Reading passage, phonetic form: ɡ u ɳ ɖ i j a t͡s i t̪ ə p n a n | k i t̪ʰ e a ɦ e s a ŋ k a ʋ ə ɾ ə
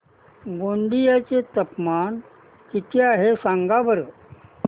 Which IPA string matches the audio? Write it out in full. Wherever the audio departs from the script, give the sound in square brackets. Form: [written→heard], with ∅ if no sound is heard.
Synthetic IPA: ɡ [u→o] ɳ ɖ i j a t͡s [i→e] t̪ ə p [n→m] a n | k i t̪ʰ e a ɦ e s a ŋ [k→ɡ] a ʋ ə ɾ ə